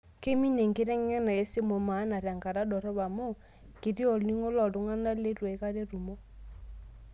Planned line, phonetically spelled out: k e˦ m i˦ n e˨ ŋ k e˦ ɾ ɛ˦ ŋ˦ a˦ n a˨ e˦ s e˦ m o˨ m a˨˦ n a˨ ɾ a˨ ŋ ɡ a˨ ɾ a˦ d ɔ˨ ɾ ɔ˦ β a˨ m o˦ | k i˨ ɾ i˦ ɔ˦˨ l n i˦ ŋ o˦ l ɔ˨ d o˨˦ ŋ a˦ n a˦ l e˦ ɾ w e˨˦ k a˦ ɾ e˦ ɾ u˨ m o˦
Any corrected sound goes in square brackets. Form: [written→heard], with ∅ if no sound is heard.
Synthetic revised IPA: k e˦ m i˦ n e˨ ŋ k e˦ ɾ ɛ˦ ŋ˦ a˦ n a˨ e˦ s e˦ m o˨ m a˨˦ n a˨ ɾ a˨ ŋ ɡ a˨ ɾ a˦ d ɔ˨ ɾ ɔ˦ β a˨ m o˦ | k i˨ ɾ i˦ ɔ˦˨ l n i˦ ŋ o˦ l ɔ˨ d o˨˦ ŋ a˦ n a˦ l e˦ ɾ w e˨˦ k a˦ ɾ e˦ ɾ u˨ m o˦